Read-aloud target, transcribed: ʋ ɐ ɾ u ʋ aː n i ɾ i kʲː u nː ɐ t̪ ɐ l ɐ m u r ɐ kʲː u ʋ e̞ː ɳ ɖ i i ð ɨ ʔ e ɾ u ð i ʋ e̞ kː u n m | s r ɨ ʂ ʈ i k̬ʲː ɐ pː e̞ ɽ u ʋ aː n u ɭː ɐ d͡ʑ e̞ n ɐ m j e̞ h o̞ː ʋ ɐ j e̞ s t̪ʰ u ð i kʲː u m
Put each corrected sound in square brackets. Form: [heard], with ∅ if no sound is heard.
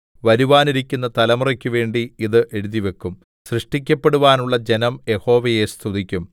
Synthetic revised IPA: ʋ ɐ ɾ u ʋ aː n i ɾ i kʲː u nː ɐ t̪ ɐ l ɐ m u r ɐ kʲː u ʋ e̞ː ɳ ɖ i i ð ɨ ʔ e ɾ u ð i ʋ e̞ kː u [∅] m | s r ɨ ʂ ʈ i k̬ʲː ɐ pː e̞ ɽ u ʋ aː n u ɭː ɐ d͡ʑ e̞ n ɐ m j e̞ h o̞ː ʋ ɐ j e̞ s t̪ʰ u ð i kʲː u m